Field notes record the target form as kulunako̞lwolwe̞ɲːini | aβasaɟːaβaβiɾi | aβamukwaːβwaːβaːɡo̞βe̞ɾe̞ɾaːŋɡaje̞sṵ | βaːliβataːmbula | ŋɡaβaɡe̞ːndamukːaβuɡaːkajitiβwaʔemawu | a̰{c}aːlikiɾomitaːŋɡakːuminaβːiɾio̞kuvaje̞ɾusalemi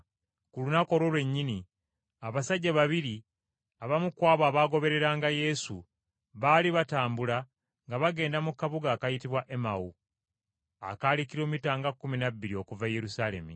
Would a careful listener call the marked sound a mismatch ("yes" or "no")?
yes